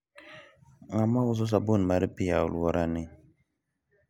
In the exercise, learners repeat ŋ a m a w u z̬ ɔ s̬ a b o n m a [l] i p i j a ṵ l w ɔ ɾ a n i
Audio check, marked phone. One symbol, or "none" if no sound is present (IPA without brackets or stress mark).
ɾ